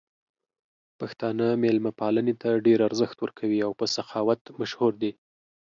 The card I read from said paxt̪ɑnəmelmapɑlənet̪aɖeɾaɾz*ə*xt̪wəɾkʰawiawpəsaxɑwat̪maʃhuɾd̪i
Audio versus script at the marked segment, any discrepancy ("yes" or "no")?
no